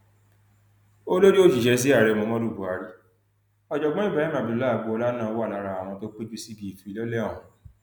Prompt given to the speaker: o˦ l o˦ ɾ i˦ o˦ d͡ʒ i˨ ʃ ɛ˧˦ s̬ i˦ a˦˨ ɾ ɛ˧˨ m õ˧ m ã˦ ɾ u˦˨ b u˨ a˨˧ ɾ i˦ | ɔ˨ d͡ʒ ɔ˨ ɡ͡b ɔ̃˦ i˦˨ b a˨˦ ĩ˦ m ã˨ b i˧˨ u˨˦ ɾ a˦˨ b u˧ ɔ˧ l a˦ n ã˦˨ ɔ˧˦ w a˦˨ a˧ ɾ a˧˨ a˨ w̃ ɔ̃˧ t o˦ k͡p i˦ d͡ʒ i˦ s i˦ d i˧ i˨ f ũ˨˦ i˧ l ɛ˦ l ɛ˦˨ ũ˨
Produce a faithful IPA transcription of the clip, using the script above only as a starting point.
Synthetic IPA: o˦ l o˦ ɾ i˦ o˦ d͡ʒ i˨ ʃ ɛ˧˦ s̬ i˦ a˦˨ ɾ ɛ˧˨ m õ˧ m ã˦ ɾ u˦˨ b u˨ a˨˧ ɾ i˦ | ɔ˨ d͡ʒ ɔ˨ ɡ͡b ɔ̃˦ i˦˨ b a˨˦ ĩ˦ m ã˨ b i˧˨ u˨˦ l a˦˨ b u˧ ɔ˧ l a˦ n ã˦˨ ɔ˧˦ w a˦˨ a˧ ɾ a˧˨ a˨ w̃ ɔ̃˧ t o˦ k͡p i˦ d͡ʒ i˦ s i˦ b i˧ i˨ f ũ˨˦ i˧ l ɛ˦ l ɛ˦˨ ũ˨